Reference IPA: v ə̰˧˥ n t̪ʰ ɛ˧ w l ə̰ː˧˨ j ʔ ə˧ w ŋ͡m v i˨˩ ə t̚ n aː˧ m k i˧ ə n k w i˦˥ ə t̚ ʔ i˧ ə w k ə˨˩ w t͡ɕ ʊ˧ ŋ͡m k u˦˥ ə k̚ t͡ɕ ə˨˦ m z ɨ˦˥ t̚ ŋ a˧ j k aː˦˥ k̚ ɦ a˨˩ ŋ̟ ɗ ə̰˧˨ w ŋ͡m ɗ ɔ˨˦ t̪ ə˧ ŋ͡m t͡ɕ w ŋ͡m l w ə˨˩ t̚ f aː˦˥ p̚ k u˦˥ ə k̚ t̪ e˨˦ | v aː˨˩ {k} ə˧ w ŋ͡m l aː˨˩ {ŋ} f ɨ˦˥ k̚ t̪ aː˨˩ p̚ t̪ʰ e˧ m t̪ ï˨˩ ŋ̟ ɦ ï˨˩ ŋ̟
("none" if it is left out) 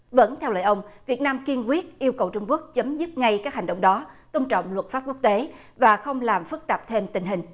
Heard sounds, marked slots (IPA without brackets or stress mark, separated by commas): x, m